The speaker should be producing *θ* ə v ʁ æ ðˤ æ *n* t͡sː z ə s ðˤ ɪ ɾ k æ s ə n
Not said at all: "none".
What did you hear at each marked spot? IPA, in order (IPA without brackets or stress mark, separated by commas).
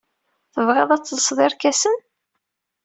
θ, none